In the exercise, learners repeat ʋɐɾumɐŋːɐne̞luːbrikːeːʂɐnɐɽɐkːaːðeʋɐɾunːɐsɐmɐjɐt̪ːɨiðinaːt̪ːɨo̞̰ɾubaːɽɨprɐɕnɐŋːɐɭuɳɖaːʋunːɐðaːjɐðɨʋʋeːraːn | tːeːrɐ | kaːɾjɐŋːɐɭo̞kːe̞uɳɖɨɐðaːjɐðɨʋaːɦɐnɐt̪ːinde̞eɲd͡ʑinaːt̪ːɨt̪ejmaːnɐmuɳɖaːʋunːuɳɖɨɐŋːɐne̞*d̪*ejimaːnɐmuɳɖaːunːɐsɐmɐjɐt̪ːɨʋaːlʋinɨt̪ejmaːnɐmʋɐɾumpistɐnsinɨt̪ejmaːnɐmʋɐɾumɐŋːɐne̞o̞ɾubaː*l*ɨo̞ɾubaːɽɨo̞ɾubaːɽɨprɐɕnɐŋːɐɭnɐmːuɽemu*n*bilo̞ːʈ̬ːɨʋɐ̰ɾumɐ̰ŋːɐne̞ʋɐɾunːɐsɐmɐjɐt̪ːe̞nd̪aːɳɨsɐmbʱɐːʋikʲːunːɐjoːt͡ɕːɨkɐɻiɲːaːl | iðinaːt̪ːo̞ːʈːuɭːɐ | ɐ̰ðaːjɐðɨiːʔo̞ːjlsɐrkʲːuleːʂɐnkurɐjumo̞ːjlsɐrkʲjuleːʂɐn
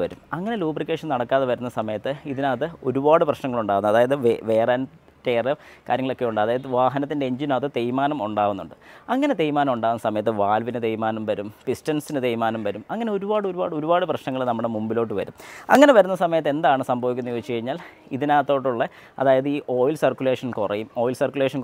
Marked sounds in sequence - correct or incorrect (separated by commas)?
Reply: incorrect, incorrect, incorrect